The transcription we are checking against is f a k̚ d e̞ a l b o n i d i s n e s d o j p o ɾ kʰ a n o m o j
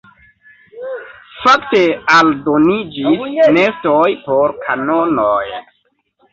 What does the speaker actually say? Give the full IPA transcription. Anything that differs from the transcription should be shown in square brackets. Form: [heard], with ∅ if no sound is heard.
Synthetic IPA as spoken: f a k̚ [t] e̞ a l [d] o n i [d͡ʒ] i s n e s [t] o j p o ɾ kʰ a n o [n] o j

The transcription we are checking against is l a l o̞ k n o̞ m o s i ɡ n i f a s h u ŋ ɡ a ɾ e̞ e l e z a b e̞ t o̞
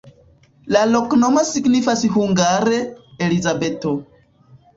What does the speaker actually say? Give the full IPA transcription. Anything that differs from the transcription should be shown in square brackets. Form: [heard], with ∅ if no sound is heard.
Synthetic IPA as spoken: l a l o̞ k n o̞ m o s i ɡ n i f a s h u ŋ ɡ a ɾ e̞ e l [i] z a b e̞ t o̞

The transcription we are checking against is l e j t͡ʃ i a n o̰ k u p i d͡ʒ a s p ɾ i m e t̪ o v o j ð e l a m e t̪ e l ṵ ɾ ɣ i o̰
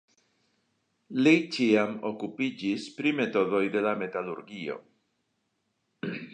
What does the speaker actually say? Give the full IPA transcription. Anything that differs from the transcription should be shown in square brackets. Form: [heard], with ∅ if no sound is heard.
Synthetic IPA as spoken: l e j t͡ʃ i a [m] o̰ k u p i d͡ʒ [i] s p ɾ i m e t̪ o [ð] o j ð e l a m e t̪ [a] l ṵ ɾ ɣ i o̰

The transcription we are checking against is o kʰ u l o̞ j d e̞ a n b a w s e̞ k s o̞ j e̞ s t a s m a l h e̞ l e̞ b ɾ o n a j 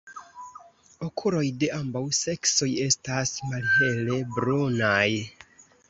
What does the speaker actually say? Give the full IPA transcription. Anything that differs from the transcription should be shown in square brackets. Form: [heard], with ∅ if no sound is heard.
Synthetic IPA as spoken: o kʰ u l o̞ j d e̞ a [m] b a w s e̞ k s o̞ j e̞ s t a s m a l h e̞ l e̞ b ɾ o n a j

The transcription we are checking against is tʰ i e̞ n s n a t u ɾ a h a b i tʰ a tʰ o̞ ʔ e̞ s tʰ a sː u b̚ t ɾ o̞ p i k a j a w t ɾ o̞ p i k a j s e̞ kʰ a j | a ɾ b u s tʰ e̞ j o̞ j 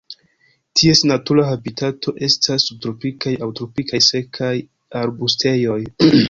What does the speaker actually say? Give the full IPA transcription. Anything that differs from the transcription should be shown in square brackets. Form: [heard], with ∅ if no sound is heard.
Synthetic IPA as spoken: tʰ i e̞ [∅] s n a t u ɾ a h a b i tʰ a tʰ o̞ ʔ e̞ s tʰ a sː u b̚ t ɾ o̞ p i k a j a w t ɾ o̞ p i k a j s e̞ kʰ a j | a ɾ b u s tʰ e̞ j o̞ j

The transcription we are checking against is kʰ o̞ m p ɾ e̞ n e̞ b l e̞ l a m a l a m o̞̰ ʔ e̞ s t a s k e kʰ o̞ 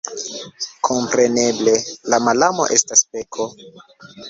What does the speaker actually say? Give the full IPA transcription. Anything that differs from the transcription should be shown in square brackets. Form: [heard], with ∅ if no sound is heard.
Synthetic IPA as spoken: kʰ o̞ m p ɾ e̞ n e̞ b l e̞ l a m a l a m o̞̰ ʔ e̞ s t a s [p] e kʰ o̞

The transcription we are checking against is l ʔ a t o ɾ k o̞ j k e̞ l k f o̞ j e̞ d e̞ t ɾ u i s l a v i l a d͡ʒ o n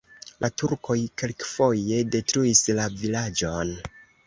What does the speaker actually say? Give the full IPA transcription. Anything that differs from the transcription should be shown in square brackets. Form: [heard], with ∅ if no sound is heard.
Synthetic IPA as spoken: l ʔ a t [u] ɾ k o̞ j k e̞ l k f o̞ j e̞ d e̞ t ɾ u i s l a v i l a d͡ʒ o n

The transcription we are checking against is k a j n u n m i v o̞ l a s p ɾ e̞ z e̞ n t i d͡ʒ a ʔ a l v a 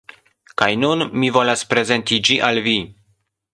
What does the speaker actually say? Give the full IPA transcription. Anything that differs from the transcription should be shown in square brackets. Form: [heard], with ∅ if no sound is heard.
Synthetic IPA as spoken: k a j n u n m i v o̞ l a s p ɾ e̞ z e̞ n t i d͡ʒ [i] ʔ a l v [i]

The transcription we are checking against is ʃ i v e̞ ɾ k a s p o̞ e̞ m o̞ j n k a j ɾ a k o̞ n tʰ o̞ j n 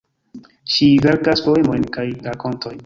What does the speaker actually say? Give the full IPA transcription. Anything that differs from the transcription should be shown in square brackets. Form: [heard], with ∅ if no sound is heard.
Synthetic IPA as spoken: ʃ i v e̞ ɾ k a s p o̞ e̞ m o̞ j n k a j ɾ a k o̞ n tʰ o̞ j n

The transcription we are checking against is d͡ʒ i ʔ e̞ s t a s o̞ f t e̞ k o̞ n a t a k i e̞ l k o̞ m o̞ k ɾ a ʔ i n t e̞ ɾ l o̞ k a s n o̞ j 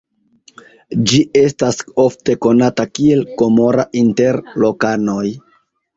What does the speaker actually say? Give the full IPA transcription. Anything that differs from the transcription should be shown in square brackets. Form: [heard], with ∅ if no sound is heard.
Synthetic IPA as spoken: d͡ʒ i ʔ e̞ s t a s o̞ f t e̞ k o̞ n a t a k i e̞ l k o̞ m o̞ [∅] ɾ a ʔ i n t e̞ ɾ l o̞ k a [∅] n o̞ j

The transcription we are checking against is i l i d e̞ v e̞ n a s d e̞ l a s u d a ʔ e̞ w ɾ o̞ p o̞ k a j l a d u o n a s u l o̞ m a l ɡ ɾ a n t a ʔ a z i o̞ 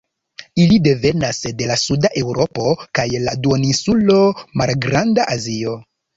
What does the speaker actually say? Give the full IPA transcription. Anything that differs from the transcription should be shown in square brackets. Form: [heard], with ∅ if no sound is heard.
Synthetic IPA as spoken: i l i d e̞ v e̞ n a s d e̞ l a s u d a ʔ e̞ w ɾ o̞ p o̞ k a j l a d u o n [i] s u l o̞ m a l ɡ ɾ a n [d] a ʔ a z i o̞

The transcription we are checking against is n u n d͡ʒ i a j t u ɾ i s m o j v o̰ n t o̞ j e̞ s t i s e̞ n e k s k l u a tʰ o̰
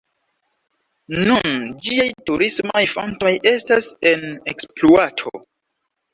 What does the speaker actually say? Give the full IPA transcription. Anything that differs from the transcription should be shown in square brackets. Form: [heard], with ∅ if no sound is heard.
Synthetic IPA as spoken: n u n d͡ʒ i a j t u ɾ i s m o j [f] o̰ n t o̞ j e̞ s t [a] s e̞ n e k s [p] l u a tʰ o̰

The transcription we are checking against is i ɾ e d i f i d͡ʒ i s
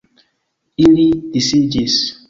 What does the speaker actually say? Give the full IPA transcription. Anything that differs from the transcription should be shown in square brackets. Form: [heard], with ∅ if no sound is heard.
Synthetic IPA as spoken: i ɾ [i] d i [s] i d͡ʒ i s

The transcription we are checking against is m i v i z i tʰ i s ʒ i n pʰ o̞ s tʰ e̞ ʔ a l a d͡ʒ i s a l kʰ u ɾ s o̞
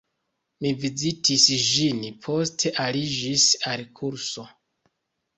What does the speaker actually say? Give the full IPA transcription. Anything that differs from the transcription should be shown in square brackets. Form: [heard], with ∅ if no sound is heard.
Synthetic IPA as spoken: m i v i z i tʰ i s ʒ i n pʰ o̞ s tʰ e̞ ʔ a l [i] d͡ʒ i s a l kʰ u ɾ s o̞

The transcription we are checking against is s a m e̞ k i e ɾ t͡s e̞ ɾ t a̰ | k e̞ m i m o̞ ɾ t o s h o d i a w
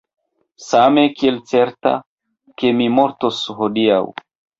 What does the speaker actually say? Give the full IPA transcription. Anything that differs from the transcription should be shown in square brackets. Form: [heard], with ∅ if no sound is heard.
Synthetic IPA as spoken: s a m e̞ k i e [l] t͡s e̞ ɾ t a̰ | k e̞ m i m o̞ ɾ t o s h o d i a w

